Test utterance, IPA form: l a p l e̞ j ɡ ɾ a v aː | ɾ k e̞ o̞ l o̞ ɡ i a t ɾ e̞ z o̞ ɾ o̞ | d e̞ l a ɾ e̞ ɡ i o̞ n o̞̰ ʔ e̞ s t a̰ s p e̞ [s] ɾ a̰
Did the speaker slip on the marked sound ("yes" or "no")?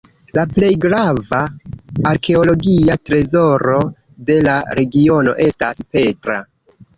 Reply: yes